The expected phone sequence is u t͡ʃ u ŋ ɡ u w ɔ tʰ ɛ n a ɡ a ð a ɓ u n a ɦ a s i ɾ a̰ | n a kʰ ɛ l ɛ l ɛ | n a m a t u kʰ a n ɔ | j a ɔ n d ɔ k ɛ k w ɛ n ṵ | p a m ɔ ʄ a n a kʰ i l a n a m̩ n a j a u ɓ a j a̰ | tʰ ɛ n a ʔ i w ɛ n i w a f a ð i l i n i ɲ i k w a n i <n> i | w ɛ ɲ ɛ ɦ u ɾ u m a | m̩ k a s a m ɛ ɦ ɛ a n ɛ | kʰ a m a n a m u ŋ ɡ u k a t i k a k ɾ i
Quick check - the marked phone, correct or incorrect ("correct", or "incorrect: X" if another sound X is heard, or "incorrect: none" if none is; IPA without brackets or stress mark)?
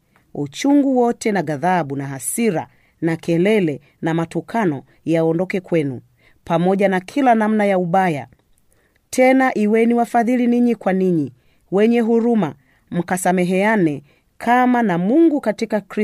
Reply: incorrect: ɲ